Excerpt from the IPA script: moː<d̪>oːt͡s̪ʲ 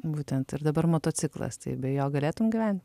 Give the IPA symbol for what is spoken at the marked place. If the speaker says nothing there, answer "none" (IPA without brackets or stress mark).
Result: t̪